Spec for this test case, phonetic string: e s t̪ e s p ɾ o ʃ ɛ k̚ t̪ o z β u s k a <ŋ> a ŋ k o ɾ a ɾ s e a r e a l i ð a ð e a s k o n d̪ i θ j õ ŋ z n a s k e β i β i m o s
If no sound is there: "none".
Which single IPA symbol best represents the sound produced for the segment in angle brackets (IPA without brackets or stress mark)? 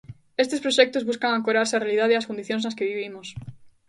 ŋ